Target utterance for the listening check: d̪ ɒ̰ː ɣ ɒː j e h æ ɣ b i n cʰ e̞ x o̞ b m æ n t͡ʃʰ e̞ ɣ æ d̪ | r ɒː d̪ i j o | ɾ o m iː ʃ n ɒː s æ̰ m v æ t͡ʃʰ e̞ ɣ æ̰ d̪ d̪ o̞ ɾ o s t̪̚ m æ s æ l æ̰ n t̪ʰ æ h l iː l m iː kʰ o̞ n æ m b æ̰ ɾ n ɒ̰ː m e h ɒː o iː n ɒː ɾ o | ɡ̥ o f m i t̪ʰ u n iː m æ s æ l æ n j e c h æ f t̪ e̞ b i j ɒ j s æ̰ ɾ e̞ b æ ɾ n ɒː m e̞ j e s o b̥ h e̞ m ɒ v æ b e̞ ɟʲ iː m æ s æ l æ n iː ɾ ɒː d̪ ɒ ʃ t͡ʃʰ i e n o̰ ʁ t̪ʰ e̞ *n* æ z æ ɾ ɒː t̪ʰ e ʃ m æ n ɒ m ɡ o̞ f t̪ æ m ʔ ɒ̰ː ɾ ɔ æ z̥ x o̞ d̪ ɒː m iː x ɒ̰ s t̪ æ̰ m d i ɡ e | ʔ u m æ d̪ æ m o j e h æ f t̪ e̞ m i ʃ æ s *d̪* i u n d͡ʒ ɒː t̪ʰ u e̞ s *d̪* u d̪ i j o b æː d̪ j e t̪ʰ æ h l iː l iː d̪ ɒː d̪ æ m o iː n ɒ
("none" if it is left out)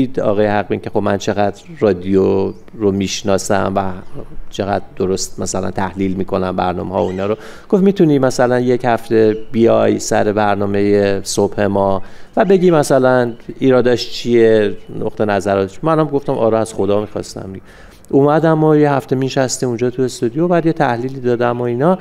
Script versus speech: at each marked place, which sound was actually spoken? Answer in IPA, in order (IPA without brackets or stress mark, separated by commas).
n, t̪, t̪